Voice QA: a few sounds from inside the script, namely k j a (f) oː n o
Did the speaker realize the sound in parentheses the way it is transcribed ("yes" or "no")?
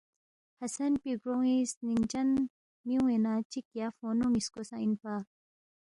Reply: yes